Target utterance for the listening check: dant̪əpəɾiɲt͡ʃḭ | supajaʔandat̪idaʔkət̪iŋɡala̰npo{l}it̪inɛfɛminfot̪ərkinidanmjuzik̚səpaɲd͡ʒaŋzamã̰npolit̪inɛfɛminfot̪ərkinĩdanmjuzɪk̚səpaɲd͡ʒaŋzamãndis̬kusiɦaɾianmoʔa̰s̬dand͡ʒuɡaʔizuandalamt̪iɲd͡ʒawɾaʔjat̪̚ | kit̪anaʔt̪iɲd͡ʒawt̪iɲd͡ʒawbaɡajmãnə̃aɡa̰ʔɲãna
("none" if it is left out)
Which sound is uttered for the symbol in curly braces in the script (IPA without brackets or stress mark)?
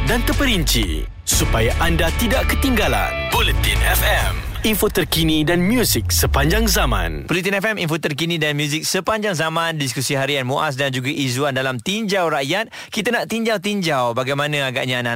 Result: l